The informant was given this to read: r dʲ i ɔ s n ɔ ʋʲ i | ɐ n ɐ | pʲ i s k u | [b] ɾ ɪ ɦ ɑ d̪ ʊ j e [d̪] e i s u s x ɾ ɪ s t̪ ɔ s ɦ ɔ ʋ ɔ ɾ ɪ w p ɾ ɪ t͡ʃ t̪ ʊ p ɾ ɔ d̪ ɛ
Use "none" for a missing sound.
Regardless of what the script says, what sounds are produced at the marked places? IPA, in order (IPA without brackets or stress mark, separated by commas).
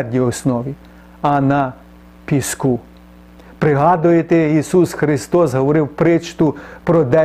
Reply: p, t̪